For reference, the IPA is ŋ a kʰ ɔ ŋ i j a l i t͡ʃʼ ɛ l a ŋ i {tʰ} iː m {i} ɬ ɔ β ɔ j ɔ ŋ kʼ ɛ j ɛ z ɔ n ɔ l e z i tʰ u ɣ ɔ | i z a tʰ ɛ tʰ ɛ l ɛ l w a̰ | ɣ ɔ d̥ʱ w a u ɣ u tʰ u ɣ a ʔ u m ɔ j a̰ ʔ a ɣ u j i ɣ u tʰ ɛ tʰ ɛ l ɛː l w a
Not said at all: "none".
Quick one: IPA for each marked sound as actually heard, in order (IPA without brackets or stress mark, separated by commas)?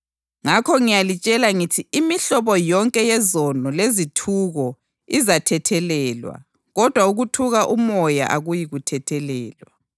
tʰ, i